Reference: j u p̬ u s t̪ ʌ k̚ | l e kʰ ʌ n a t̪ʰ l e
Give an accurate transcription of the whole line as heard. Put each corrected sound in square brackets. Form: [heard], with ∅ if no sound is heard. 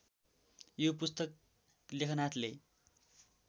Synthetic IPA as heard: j [o] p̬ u s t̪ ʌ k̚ | l e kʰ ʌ n a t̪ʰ l e